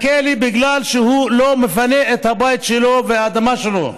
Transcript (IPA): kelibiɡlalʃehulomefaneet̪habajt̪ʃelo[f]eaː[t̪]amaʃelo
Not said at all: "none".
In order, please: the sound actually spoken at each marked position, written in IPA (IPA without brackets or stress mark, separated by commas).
v, d̪